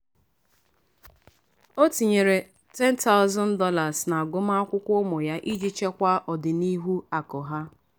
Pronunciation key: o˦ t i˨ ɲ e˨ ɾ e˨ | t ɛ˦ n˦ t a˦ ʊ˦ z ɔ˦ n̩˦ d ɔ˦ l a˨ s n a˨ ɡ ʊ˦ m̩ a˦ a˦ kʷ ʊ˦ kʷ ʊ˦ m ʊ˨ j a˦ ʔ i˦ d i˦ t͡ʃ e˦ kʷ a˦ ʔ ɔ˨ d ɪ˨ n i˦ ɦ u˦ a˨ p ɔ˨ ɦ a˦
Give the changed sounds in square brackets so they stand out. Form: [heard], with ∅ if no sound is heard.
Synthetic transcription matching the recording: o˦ t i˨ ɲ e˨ ɾ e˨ | t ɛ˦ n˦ t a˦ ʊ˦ z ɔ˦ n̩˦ d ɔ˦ l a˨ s n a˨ ɡ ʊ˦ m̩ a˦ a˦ kʷ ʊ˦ kʷ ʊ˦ m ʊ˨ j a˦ ʔ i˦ [d͡ʒ] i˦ t͡ʃ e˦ kʷ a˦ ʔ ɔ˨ d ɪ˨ n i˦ ɦ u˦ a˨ [k] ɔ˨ ɦ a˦